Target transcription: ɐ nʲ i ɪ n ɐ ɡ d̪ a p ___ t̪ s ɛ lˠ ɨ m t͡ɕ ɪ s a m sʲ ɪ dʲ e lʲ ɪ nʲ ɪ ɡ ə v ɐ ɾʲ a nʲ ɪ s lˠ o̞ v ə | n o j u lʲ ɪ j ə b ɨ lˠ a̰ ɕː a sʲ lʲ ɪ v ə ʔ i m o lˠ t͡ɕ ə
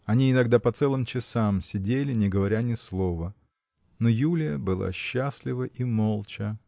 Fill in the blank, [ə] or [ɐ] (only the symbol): ɐ